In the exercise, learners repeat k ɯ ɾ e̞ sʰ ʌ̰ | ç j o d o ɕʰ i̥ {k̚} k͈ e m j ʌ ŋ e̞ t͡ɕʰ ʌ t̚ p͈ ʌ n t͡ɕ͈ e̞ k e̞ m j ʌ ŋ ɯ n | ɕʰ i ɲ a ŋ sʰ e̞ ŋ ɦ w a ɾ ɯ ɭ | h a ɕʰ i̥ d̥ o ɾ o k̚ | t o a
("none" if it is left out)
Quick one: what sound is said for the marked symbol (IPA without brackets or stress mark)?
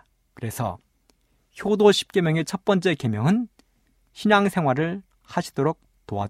p̚